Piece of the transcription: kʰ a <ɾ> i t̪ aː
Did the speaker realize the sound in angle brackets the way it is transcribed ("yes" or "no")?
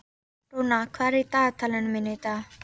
yes